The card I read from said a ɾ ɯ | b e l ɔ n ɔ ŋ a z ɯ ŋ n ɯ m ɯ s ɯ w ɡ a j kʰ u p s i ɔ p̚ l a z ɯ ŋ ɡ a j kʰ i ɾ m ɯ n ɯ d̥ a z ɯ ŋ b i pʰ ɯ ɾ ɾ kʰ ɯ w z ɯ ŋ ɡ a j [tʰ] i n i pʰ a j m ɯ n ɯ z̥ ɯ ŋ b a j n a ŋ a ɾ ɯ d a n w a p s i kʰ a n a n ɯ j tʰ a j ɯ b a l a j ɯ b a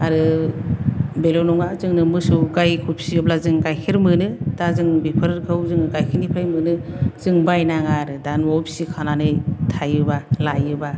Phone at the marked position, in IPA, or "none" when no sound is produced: kʰ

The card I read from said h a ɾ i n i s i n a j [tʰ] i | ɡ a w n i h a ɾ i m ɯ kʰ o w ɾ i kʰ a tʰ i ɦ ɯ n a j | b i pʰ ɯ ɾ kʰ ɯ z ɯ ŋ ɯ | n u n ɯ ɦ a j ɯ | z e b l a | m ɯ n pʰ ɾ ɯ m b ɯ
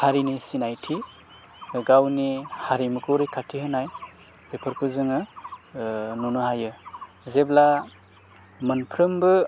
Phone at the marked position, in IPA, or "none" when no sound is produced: tʰ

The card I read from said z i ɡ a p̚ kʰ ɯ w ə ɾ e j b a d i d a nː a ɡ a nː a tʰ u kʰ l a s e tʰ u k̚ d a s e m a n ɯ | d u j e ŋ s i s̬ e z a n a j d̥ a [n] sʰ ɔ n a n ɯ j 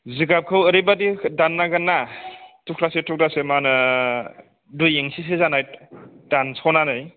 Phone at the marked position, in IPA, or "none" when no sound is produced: n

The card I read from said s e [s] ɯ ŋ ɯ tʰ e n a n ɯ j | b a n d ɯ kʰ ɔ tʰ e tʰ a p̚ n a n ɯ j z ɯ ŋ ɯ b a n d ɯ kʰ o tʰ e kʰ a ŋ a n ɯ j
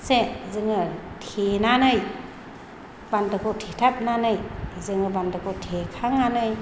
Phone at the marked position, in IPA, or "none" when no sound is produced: z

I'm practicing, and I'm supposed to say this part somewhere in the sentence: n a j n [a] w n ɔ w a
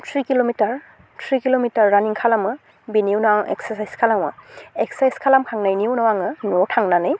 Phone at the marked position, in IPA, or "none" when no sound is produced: i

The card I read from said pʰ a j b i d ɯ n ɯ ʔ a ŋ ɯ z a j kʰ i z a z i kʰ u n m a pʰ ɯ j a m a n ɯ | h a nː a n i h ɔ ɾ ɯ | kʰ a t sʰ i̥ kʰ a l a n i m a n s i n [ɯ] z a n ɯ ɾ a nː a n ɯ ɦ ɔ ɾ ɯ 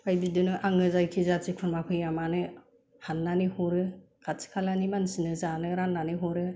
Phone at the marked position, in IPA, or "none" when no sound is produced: ɯ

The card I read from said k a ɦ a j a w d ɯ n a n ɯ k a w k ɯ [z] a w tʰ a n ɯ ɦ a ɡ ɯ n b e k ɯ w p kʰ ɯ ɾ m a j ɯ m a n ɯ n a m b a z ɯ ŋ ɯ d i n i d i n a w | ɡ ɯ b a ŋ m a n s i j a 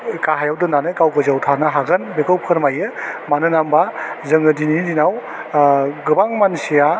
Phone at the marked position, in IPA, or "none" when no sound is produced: z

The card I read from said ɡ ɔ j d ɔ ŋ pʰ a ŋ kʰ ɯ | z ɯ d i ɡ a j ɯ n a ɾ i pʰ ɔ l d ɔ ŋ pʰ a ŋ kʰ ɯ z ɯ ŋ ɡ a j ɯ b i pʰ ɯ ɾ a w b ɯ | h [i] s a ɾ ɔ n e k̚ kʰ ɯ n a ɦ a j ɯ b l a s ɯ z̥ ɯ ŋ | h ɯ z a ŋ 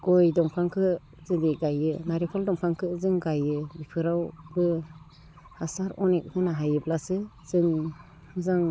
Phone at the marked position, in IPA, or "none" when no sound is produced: a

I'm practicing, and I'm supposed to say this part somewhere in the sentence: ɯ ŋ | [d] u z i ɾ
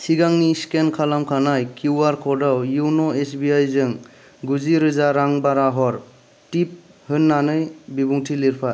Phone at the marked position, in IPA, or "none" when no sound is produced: ɡ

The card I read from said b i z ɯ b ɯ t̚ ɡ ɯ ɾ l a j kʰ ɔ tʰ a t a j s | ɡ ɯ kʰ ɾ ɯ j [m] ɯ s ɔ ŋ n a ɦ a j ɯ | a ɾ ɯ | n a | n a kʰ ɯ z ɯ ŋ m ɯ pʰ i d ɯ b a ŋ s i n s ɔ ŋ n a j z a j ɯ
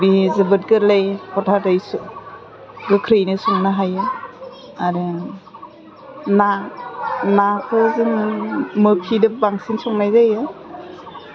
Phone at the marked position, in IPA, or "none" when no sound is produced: n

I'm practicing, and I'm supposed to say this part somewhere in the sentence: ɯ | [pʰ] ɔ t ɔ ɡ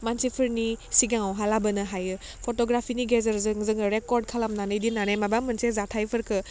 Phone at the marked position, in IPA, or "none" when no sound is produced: pʰ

